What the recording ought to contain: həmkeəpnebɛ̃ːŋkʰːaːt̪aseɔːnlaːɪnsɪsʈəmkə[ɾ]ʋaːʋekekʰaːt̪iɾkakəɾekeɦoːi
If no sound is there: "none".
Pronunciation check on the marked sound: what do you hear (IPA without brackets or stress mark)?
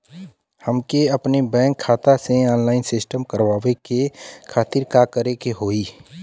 ɾ